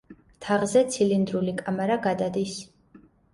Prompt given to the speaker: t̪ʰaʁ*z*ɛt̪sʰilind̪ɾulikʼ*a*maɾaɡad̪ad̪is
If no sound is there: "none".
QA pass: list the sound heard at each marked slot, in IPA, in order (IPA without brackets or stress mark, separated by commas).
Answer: z, a